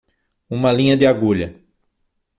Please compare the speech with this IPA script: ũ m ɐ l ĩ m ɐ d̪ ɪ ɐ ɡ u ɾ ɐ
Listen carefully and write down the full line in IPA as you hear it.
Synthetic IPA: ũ m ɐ l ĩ ɲ ɐ d̪ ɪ a ɡ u ʎ ɐ